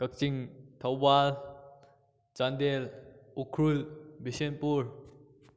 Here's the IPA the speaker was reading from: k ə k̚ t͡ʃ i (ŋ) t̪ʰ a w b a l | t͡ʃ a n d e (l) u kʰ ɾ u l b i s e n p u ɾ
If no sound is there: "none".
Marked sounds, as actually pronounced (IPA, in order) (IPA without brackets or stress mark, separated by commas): ŋ, l